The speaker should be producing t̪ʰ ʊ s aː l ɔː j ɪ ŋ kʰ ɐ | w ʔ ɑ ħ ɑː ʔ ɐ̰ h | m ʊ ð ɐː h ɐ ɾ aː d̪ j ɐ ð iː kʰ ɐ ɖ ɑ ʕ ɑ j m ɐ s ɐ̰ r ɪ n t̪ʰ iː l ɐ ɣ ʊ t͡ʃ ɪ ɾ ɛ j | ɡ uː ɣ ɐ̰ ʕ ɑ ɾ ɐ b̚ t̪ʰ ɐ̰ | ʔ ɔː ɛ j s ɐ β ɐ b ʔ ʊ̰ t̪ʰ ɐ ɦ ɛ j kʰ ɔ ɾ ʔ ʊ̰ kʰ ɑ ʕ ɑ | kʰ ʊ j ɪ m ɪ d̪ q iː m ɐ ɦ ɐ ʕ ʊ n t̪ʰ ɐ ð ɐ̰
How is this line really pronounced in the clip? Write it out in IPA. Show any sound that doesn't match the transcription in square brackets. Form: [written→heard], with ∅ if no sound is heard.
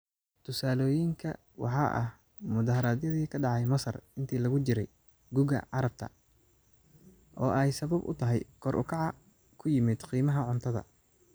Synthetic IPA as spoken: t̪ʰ ʊ s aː l ɔː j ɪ ŋ kʰ ɐ | w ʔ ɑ ħ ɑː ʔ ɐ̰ h | m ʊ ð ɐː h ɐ ɾ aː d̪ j ɐ ð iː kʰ ɐ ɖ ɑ ʕ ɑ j m ɐ s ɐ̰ r ɪ n t̪ʰ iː l ɐ ɣ ʊ t͡ʃ ɪ ɾ ɛ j | ɡ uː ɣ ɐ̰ ʕ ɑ ɾ ɐ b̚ t̪ʰ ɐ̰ | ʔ ɔː ɛ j s ɐ β ɐ b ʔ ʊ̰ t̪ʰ ɐ ɦ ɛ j kʰ ɔ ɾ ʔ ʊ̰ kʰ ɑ ʕ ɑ | kʰ ʊ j ɪ m ɪ d̪ q iː m ɐ ɦ ɐ ʕ ʊ n t̪ʰ ɐ ð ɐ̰